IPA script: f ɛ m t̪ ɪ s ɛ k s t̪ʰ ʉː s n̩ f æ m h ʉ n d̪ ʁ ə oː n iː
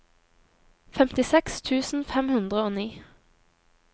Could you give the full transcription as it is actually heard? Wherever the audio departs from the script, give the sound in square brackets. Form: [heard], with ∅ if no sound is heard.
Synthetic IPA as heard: f ɛ m t̪ ɪ s ɛ k s t̪ʰ ʉː s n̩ f [ɛ] m h ʉ n d̪ ʁ ə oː n iː